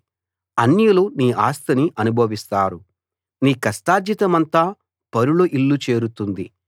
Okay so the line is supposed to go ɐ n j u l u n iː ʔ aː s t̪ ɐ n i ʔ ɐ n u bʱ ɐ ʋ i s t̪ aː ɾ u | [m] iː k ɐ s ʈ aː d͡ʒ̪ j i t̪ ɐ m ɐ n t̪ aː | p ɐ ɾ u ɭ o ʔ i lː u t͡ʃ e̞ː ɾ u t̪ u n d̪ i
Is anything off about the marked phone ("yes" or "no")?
yes